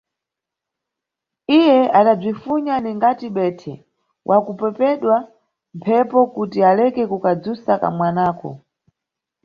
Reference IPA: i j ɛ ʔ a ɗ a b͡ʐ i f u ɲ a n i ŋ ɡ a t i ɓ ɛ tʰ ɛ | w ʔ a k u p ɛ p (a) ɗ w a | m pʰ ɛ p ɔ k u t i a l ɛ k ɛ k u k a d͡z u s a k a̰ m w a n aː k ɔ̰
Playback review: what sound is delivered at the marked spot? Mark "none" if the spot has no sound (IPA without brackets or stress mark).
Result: ɛ